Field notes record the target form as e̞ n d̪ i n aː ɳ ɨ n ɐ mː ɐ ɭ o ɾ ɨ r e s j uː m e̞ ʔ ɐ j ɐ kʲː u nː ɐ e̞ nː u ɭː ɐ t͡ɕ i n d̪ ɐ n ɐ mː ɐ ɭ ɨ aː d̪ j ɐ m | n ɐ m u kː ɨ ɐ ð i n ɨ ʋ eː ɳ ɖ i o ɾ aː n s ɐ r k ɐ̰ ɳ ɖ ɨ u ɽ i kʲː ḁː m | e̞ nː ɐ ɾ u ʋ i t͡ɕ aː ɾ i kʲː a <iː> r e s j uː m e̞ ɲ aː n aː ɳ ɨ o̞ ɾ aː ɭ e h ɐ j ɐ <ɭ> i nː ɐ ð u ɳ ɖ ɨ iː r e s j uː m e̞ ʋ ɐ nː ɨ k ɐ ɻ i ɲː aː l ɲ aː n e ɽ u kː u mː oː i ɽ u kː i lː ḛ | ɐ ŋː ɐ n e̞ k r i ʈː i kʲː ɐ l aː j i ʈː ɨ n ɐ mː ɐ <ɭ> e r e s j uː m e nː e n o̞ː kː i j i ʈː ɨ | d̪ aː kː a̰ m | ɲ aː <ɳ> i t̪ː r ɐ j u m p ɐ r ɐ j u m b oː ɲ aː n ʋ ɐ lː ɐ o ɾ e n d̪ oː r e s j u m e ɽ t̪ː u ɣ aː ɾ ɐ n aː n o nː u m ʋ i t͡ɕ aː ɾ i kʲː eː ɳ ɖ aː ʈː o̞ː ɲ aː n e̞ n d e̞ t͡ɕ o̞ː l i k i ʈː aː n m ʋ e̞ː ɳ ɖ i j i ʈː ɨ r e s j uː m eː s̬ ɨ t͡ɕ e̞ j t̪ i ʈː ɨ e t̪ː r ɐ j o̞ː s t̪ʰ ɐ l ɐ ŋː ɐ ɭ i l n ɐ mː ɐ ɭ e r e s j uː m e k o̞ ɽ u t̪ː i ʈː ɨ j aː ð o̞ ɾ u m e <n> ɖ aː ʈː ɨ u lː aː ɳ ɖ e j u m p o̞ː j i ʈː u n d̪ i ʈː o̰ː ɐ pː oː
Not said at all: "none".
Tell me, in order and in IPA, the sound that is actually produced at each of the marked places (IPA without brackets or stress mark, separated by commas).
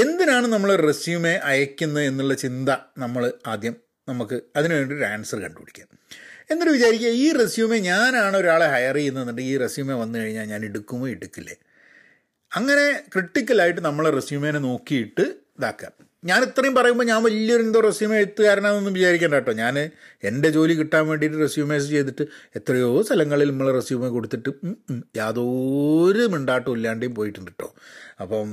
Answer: iː, r, ɭ, n, ɳ